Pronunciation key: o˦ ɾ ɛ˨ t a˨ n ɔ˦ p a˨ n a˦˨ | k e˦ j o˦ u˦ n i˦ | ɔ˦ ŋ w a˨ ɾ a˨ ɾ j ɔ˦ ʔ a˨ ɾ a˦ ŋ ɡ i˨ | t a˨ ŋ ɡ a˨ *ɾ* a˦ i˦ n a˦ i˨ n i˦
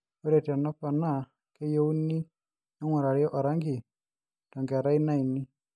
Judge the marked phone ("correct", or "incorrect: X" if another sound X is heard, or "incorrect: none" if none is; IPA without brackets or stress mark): correct